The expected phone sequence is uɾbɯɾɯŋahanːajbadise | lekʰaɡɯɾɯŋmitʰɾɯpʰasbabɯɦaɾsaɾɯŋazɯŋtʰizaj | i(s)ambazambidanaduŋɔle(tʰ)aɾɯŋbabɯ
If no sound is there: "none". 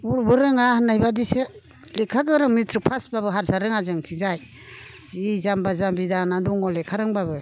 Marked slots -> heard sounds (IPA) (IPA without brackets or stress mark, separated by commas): z, kʰ